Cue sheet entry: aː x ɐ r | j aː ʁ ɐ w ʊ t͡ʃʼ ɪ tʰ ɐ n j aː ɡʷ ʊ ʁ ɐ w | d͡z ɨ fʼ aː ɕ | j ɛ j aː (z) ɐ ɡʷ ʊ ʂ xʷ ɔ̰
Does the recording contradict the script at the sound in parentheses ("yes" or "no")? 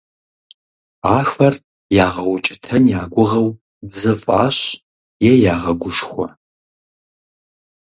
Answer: yes